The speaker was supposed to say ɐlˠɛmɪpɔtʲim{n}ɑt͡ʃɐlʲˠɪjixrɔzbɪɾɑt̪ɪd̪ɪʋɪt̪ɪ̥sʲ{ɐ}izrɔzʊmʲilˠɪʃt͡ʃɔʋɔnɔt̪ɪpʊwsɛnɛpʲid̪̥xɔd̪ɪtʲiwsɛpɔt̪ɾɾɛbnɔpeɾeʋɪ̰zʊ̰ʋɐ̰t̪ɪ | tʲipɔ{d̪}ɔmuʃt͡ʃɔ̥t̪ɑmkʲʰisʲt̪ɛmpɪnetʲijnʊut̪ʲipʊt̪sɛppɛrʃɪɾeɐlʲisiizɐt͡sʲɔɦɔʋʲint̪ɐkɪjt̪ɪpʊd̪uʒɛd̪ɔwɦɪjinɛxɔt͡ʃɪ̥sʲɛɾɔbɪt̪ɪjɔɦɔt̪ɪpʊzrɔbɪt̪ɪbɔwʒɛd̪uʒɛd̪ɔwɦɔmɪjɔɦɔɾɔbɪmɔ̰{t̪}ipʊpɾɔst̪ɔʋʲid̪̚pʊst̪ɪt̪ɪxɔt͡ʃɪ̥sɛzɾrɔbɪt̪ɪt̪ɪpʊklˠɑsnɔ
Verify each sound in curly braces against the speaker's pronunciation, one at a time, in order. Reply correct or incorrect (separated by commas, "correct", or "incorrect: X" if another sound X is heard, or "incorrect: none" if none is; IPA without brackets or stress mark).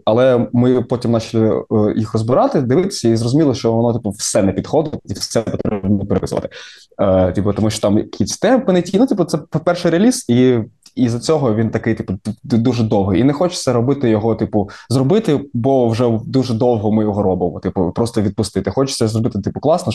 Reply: correct, correct, incorrect: t̪, correct